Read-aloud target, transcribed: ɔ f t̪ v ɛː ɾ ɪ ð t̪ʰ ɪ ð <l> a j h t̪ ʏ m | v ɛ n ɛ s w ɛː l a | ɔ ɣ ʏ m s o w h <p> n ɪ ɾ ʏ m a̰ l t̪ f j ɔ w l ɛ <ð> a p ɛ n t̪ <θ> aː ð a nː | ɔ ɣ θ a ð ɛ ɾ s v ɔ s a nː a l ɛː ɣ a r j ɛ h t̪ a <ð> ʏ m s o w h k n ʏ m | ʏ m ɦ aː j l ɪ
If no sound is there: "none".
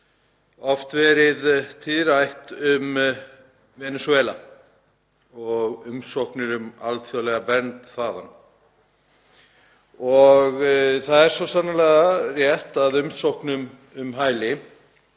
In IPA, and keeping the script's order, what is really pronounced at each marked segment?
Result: ɾ, k, ɣ, θ, ð

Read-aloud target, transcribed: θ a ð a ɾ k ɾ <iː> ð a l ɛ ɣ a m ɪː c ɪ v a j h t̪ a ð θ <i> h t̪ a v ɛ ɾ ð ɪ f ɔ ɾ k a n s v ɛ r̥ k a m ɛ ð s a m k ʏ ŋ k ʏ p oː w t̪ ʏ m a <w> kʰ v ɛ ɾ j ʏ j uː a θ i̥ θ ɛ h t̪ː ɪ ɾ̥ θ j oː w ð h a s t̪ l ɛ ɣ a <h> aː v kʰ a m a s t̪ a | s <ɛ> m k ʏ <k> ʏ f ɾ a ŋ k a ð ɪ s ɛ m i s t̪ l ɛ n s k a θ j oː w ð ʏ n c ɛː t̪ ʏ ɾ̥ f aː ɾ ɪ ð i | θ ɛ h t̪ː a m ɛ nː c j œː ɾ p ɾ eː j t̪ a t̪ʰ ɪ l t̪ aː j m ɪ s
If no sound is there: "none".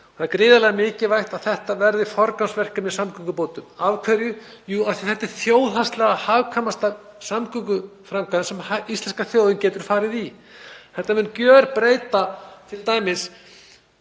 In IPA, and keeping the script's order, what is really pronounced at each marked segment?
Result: ɪː, ɛ, v, h, a, k

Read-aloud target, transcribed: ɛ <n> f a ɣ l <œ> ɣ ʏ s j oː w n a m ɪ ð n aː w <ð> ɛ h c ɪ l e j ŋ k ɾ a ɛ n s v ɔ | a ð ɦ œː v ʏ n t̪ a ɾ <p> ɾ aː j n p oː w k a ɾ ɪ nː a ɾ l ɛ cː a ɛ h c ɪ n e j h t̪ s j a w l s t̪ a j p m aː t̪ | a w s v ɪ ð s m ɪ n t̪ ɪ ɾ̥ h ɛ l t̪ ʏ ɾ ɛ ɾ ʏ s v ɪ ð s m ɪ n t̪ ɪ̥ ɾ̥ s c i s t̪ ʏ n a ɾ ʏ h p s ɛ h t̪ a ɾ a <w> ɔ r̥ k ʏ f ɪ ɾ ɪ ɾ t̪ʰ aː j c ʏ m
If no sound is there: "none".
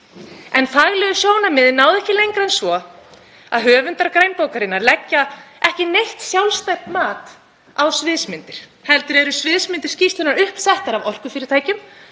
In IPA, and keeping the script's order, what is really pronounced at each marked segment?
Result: n, ɛ, ð, k, v

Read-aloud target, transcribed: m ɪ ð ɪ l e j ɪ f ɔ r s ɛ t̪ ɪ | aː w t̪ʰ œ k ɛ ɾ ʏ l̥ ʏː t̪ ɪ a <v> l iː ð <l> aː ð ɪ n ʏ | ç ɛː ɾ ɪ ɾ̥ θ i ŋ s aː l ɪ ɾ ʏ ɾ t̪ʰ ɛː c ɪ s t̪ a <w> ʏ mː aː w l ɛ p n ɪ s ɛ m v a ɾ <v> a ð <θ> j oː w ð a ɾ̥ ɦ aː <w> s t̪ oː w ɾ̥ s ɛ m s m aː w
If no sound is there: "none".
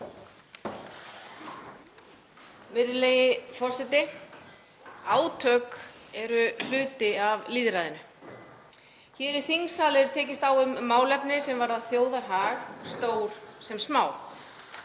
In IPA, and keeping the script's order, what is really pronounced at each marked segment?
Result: v, ɾ, w, ð, θ, ɣ

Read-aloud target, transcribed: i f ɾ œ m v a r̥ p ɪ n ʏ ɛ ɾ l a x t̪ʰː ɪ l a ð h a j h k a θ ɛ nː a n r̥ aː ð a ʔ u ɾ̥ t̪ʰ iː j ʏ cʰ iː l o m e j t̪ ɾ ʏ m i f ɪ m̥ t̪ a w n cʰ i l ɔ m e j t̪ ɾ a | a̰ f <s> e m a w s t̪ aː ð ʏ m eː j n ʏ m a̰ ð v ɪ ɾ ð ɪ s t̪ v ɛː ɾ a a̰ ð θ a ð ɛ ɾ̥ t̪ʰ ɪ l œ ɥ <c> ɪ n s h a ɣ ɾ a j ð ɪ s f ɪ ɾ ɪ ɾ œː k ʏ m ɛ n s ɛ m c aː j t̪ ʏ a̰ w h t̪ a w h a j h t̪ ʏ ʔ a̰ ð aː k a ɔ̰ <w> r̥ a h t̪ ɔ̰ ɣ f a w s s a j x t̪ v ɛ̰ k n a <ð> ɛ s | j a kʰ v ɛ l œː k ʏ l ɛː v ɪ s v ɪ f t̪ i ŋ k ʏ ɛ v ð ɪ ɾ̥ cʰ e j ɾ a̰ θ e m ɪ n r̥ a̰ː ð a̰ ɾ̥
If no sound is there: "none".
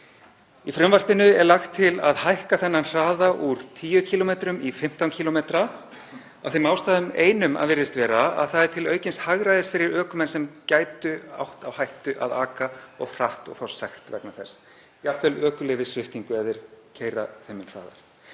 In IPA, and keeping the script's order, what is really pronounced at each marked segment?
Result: θ, c, ɣ, θ

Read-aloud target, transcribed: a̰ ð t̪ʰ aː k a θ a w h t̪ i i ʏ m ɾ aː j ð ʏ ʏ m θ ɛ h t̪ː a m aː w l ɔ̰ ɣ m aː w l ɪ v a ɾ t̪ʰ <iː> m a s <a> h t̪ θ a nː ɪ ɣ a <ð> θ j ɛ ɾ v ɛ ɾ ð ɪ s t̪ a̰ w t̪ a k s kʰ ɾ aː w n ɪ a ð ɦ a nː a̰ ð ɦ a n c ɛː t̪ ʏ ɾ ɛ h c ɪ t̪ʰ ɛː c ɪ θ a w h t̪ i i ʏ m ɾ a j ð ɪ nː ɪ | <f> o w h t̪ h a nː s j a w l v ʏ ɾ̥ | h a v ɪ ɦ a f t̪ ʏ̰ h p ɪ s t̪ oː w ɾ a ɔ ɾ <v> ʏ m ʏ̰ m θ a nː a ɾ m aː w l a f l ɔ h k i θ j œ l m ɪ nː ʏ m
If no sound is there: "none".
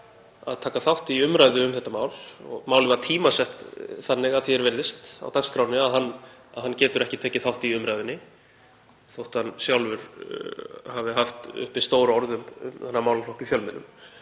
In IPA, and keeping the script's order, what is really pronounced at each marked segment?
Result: iː, ɛ, ð, θ, ð

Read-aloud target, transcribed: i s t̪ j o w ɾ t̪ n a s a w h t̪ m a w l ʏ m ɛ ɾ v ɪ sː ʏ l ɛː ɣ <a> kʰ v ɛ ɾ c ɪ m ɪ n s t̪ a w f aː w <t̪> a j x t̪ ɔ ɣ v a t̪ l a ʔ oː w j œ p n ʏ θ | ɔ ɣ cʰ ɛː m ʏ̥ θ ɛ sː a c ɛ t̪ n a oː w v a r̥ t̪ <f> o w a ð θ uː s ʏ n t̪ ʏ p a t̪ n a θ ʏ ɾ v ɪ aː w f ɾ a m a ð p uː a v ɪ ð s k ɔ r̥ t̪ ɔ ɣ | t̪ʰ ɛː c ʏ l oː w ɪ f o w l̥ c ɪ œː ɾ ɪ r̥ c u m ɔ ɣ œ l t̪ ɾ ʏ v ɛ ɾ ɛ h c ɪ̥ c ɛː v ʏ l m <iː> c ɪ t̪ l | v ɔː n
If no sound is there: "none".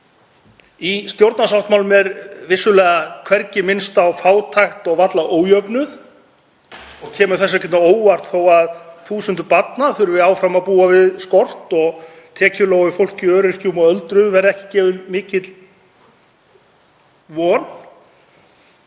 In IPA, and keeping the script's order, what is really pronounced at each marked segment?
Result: a, t̪ʰ, θ, ɪː

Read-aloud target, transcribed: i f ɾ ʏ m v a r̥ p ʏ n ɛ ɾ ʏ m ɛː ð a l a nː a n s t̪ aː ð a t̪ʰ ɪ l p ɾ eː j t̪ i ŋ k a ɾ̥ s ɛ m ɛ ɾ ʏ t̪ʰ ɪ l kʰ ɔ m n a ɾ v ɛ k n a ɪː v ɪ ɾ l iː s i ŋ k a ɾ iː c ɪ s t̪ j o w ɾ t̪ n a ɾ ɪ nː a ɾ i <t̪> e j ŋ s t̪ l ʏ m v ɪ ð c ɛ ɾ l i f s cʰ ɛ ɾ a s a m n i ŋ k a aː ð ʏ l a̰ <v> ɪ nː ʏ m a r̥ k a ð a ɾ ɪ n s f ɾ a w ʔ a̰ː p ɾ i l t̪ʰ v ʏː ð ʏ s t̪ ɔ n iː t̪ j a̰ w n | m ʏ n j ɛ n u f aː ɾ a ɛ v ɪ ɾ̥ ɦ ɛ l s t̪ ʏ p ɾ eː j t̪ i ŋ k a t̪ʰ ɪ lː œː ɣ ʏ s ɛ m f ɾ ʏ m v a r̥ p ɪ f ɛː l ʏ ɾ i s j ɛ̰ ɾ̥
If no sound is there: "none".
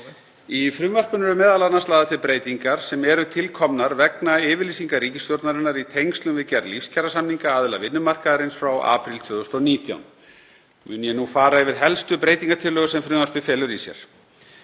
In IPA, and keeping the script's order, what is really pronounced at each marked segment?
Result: t̪ʰ, v

